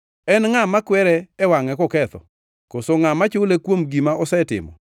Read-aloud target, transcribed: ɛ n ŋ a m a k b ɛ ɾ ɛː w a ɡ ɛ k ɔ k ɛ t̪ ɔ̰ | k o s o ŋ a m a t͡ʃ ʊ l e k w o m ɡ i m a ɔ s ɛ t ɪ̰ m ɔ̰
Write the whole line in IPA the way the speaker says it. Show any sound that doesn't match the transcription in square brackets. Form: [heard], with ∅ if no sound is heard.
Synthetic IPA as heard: ɛ n ŋ a m a k [w] ɛ ɾ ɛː w a [ŋ] ɛ k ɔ k ɛ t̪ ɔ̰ | k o s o ŋ a m a t͡ʃ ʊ l e k w o m ɡ i m a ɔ s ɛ t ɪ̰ m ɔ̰